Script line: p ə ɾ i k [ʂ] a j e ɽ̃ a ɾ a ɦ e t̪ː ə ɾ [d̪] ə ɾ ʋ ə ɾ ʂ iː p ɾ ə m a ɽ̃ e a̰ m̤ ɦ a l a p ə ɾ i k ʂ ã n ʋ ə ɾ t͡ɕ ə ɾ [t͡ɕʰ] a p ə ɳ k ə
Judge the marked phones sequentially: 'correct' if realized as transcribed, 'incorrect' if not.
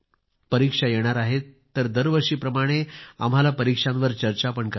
correct, correct, incorrect: t͡ɕ

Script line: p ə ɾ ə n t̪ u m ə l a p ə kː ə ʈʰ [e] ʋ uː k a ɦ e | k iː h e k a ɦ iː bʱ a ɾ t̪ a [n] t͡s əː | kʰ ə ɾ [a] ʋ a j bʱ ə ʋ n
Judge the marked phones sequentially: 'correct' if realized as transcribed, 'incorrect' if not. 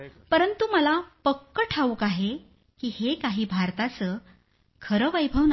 incorrect: a, incorrect: none, incorrect: ə

